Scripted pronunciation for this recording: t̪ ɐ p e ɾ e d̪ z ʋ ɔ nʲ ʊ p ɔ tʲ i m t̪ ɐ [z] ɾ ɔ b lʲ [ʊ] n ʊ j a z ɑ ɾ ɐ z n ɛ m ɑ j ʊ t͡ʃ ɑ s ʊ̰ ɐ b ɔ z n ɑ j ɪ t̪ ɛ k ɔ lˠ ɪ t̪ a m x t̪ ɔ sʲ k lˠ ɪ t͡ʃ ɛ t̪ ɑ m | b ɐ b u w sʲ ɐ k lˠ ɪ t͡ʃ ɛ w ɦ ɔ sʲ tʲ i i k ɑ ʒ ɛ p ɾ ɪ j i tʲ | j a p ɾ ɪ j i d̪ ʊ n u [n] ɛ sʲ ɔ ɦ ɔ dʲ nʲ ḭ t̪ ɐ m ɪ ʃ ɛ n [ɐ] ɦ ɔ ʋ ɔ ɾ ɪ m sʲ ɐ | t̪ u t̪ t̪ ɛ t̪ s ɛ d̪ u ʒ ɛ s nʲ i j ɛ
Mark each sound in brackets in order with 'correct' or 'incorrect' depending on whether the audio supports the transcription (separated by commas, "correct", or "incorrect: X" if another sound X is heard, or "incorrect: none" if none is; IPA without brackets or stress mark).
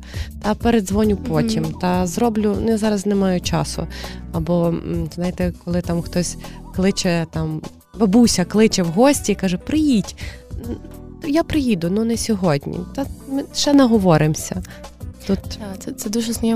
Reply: correct, correct, correct, correct